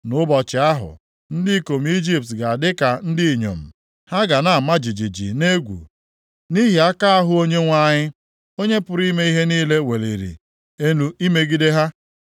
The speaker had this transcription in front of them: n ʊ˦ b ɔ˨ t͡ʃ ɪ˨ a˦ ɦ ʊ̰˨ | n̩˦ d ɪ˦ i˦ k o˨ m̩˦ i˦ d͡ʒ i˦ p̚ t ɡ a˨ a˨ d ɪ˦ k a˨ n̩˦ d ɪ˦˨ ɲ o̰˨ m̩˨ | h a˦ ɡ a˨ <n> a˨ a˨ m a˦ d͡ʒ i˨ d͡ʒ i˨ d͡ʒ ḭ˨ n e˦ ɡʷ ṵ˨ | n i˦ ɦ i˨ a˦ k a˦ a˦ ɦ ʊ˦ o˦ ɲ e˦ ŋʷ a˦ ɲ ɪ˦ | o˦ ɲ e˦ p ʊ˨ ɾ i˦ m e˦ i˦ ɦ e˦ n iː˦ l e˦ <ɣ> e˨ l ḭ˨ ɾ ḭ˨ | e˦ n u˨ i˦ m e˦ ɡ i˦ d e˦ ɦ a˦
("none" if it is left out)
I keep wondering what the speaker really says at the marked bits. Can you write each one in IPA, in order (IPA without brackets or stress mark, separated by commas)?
n, w